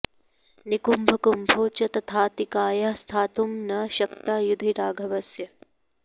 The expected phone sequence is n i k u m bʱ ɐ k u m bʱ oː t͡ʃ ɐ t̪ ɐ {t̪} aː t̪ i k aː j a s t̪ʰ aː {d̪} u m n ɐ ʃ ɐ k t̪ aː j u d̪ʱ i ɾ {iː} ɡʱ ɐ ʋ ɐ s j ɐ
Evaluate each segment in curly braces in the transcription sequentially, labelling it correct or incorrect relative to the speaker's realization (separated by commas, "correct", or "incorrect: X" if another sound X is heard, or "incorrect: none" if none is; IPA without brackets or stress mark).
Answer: incorrect: t̪ʰ, incorrect: t̪, incorrect: aː